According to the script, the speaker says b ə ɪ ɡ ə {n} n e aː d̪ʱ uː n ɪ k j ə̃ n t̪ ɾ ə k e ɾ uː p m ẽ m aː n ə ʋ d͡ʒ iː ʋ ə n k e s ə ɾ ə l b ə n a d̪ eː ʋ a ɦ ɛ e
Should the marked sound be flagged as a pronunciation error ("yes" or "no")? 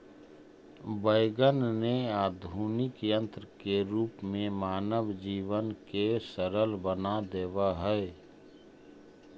no